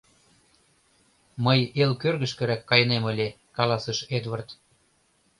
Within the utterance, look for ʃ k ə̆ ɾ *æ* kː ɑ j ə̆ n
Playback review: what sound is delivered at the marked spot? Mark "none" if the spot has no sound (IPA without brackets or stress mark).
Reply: æ